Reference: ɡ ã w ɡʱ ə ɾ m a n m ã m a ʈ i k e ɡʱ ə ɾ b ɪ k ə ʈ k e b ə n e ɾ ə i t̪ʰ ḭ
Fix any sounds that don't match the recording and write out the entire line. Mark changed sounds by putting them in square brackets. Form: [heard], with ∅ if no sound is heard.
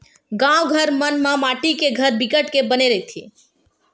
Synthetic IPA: ɡ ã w ɡʱ ə ɾ m [ə] n m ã m a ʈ i k e ɡʱ ə ɾ b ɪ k ə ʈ k e b ə n e ɾ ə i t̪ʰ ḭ